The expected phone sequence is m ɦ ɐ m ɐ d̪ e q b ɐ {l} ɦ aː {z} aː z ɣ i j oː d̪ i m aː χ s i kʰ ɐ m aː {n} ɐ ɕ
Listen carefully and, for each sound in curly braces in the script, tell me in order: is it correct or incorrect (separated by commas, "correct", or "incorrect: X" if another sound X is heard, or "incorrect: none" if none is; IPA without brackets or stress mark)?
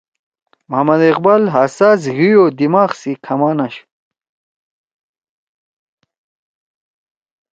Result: correct, incorrect: s, correct